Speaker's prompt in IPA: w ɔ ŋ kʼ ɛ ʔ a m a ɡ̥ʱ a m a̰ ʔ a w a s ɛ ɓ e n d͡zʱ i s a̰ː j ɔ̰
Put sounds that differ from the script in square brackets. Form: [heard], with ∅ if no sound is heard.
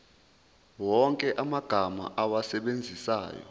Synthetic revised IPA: w ɔ ŋ kʼ ɛ ʔ a m a ɡ̥ʱ a m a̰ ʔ a w a s ɛ ɓ e n d͡zʱ i s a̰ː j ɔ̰